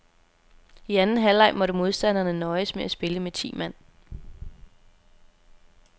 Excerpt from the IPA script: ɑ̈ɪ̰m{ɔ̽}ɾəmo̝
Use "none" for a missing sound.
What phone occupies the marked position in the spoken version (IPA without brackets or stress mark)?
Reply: ɒ̽